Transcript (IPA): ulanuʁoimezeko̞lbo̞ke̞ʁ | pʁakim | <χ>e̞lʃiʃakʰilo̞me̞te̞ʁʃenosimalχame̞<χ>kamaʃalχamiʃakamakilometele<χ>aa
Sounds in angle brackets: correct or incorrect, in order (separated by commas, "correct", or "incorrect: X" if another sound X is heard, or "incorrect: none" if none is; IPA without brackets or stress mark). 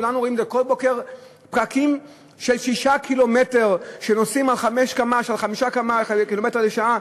incorrect: ʃ, incorrect: ʃ, incorrect: ʃ